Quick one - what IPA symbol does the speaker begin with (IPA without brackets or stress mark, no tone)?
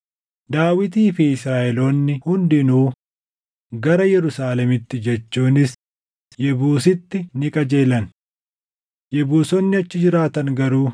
d̪